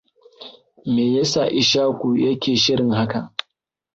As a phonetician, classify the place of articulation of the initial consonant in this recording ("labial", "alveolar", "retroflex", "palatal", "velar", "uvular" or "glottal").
labial